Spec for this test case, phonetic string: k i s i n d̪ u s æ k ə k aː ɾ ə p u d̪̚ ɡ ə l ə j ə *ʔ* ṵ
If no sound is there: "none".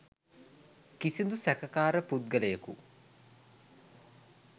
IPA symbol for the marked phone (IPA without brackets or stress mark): k